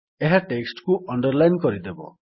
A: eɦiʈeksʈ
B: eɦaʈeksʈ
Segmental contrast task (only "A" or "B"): B